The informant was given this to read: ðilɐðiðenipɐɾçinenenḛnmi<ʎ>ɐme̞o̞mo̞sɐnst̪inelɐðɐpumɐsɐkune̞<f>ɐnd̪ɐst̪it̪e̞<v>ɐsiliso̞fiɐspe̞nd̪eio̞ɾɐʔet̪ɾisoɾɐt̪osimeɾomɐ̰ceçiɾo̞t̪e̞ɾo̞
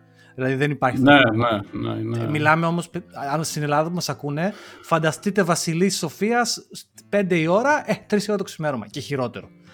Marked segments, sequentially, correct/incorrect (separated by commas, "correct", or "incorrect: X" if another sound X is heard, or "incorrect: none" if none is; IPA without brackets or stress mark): incorrect: l, correct, correct